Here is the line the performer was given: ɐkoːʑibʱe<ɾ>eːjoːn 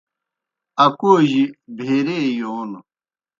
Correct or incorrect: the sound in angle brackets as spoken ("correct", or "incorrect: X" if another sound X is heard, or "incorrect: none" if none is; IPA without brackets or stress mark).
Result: correct